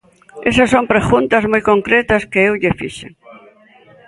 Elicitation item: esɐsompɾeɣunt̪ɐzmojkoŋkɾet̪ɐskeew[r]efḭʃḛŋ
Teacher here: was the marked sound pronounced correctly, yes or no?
no